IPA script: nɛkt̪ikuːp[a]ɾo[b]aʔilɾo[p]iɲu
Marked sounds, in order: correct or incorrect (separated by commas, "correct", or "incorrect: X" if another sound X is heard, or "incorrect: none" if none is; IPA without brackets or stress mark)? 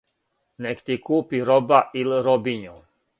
incorrect: i, correct, incorrect: b